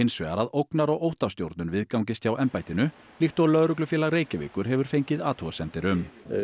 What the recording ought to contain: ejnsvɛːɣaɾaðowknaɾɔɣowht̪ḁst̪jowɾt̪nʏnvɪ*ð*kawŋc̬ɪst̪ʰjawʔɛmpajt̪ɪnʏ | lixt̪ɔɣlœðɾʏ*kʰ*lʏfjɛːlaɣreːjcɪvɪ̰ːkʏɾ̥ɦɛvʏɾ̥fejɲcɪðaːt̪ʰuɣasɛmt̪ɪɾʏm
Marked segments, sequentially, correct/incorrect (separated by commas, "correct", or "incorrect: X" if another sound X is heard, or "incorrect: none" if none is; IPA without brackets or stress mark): correct, incorrect: k